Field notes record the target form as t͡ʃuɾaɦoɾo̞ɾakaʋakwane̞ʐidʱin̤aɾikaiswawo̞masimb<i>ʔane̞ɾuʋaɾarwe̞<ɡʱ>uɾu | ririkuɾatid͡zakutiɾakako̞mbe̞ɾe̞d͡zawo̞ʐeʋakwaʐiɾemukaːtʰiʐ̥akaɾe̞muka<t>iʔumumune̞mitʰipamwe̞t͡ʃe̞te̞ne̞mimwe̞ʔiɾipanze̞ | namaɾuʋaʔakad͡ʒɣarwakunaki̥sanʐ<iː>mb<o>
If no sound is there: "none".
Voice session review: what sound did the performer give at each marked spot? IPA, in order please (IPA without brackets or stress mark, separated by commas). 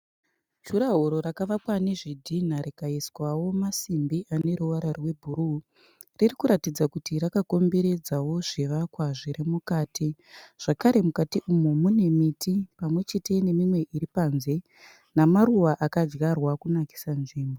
i, bʱ, t, iː, o